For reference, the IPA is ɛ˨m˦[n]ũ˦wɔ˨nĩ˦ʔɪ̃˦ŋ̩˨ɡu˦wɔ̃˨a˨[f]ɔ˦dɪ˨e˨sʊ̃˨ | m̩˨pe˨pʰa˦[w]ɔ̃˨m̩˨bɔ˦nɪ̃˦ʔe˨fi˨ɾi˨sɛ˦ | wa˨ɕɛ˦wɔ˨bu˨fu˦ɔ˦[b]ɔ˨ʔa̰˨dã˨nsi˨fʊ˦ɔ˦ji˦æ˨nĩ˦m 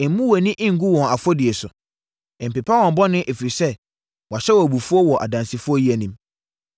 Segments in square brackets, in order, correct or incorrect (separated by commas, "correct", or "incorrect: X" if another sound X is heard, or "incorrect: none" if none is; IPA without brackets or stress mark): incorrect: m, correct, correct, incorrect: w